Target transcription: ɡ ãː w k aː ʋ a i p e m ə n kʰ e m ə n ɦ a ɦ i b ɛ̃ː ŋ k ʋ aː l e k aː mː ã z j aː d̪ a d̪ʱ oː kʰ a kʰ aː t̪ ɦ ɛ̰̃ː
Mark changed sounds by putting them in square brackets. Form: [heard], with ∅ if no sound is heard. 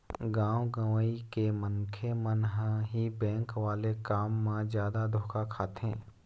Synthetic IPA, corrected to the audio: ɡ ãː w [ɡ] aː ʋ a i [k] e m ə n kʰ e m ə n ɦ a ɦ i b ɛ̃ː ŋ k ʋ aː l e k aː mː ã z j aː d̪ a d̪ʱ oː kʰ a kʰ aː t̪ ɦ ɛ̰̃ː